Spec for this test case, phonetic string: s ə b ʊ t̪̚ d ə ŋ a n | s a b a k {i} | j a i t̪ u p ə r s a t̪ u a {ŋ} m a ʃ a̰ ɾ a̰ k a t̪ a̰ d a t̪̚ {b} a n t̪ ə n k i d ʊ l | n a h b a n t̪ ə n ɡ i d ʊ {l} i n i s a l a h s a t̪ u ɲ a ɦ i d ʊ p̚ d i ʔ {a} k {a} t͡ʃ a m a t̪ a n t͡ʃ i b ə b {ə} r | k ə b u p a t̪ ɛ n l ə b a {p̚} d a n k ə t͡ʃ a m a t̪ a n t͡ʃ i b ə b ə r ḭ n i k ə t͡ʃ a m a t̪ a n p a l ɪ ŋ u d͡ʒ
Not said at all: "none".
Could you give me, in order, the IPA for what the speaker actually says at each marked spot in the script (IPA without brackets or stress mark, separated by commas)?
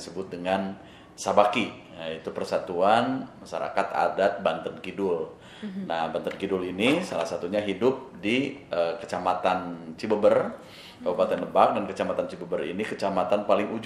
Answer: i, n, b, l, ə, ə, ə, k̚